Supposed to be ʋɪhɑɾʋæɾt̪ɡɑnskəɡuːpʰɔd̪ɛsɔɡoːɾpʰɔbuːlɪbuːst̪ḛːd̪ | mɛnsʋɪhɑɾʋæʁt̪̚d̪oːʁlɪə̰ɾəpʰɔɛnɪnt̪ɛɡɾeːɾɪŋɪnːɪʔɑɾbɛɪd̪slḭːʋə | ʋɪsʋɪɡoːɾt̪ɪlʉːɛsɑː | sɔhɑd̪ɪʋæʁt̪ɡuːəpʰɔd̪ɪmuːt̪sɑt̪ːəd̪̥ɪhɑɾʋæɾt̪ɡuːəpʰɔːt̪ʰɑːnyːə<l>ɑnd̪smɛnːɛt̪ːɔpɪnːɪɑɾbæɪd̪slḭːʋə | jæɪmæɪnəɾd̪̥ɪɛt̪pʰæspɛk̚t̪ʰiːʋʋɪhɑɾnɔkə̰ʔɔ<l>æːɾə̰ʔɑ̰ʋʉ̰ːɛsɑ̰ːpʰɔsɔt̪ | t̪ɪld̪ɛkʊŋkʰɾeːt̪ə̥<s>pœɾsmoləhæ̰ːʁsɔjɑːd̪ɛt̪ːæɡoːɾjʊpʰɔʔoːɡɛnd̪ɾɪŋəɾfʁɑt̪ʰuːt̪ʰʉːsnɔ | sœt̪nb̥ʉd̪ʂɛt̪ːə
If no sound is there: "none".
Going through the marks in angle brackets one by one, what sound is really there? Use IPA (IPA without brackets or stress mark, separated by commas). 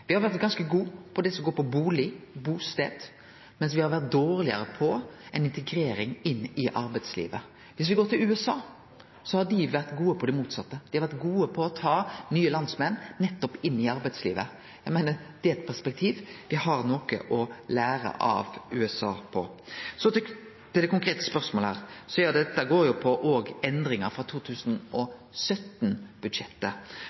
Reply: l, l, s